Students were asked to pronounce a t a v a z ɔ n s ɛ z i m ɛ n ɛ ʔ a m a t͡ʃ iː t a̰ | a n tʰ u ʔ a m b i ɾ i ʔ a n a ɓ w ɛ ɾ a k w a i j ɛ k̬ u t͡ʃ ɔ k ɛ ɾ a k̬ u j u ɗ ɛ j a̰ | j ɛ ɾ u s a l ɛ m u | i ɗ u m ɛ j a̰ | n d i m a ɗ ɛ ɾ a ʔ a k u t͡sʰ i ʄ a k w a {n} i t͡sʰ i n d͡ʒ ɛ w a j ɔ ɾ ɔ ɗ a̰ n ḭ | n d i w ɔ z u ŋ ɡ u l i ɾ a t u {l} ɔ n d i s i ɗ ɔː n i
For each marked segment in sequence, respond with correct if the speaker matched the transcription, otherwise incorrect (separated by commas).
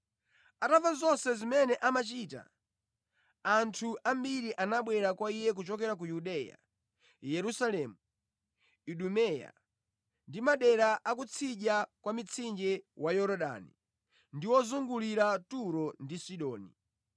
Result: incorrect, incorrect